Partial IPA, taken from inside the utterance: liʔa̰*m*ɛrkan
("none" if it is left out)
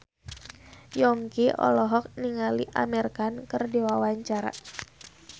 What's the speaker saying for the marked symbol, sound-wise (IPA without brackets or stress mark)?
m